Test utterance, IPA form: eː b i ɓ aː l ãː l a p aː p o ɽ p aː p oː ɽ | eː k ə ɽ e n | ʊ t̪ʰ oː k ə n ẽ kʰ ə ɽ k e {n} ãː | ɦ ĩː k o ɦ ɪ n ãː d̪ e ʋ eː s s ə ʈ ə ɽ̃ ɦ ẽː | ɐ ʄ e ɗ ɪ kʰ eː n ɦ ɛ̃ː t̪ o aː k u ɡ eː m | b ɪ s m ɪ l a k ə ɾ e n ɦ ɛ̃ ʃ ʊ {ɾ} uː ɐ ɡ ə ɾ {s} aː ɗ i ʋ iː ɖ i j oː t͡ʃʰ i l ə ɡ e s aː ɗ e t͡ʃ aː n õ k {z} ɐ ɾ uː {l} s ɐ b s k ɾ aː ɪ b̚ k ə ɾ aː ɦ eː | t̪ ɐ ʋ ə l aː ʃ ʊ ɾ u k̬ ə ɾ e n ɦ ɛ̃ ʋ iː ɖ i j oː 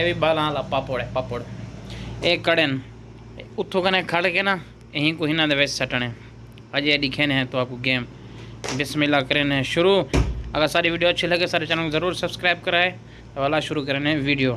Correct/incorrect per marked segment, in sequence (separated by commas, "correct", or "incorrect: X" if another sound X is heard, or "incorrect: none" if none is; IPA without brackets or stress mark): correct, correct, correct, correct, incorrect: ɾ